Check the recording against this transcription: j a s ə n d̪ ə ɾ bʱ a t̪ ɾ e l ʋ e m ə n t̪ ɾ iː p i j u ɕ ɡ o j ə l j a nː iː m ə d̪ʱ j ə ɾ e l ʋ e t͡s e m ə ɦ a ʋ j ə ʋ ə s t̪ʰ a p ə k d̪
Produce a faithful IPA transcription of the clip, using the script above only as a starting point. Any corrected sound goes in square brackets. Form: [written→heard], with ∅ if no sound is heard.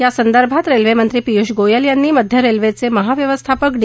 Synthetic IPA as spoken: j a s ə n d̪ ə ɾ bʱ a t̪ ɾ e l ʋ e m ə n t̪ ɾ iː p i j u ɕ ɡ o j ə l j a nː iː m ə d̪ʱ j ə ɾ e l ʋ e t͡s e m ə ɦ a ʋ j ə ʋ ə s t̪ʰ a p ə k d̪